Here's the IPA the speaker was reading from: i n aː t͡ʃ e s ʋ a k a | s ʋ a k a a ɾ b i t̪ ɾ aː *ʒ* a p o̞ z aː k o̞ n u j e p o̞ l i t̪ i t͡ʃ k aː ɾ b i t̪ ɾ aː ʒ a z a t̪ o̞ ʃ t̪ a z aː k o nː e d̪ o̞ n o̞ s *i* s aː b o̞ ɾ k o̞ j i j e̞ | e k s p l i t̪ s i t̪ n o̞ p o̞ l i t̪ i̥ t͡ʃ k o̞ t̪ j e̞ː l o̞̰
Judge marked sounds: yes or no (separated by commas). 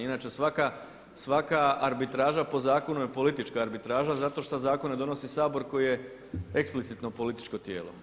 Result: yes, yes